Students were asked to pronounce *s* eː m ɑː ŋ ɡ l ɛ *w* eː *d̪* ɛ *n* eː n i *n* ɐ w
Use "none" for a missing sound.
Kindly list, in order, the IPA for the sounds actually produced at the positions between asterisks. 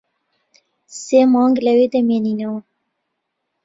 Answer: s, w, d̪, m, n

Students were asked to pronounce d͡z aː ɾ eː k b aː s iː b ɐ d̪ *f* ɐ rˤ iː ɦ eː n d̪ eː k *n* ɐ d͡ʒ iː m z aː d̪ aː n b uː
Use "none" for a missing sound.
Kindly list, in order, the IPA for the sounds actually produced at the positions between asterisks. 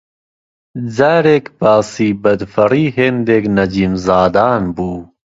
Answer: f, n

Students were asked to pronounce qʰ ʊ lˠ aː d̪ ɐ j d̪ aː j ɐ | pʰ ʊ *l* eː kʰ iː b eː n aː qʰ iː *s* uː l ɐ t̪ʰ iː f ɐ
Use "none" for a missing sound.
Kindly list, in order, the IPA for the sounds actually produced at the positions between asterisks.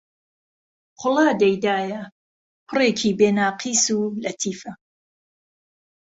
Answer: r, s

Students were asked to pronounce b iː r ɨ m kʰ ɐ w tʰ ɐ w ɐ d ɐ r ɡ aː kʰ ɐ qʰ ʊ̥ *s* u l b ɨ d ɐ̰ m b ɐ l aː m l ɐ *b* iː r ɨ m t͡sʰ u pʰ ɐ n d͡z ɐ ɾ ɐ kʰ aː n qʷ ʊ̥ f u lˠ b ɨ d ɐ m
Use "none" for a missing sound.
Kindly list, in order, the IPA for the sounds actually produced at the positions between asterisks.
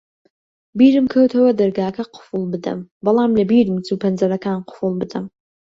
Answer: f, b

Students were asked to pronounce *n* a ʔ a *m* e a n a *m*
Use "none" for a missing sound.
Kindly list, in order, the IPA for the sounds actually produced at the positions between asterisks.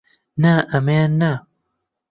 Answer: n, m, none

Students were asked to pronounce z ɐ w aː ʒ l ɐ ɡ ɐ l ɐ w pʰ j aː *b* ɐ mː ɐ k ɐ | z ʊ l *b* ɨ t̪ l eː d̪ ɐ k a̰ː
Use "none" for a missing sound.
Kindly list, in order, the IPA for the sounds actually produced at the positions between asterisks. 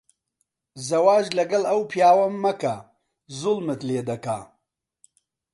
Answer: w, m

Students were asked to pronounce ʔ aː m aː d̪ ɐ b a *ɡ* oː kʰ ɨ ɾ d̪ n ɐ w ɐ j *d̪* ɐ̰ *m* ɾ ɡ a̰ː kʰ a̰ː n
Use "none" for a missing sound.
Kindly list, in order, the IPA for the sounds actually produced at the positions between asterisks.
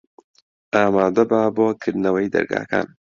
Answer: b, d̪, none

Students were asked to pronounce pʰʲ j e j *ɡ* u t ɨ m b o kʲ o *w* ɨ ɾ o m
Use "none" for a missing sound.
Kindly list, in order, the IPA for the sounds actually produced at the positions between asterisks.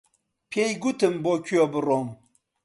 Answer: ɡ, b

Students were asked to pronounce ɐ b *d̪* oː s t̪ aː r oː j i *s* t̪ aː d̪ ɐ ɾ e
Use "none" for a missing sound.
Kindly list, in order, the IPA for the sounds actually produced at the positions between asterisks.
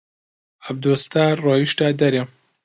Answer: d̪, ʃ

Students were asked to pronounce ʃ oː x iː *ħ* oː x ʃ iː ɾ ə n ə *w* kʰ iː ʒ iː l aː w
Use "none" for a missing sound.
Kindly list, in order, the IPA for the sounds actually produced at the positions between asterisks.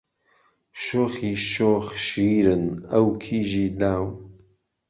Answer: ʃ, w

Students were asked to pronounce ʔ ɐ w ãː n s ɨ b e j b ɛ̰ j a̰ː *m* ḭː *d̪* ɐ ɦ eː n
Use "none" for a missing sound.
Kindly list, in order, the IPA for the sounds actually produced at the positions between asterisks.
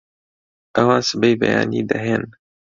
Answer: n, d̪

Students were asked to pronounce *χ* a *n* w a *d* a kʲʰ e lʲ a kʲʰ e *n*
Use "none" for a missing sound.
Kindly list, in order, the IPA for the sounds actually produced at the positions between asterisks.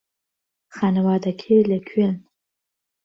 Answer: χ, n, d, n

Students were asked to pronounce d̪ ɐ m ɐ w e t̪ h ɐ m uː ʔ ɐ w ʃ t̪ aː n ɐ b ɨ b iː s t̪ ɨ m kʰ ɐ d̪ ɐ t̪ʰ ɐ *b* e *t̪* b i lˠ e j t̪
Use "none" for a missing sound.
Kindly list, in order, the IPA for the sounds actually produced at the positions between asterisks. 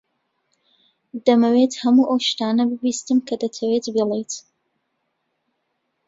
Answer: w, t̪

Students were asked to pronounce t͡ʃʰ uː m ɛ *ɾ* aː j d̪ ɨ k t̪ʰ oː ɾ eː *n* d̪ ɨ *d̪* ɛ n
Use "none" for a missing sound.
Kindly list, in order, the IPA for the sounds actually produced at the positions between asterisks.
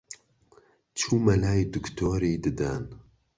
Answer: l, none, d̪

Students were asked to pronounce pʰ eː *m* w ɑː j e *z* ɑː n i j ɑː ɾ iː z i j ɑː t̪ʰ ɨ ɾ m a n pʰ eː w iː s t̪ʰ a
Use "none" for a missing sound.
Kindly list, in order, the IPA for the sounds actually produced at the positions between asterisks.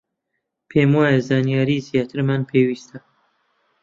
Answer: m, z

